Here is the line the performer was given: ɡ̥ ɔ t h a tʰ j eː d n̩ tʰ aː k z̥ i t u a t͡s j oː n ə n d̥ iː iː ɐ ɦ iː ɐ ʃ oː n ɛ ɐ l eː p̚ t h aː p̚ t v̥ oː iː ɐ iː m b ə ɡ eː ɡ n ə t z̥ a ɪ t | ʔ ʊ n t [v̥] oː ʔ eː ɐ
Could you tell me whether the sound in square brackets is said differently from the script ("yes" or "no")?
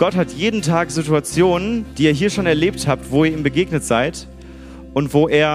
no